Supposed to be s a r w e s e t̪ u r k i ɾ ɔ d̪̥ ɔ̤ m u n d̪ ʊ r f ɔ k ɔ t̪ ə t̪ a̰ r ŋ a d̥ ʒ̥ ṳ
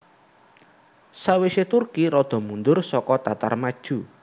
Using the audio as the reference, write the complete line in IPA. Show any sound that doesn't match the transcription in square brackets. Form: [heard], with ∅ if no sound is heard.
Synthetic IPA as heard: s a [∅] w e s e t̪ u r k i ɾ ɔ d̪̥ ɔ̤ m u n d̪ ʊ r [s] ɔ k ɔ t̪ [a] t̪ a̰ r [m] a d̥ ʒ̥ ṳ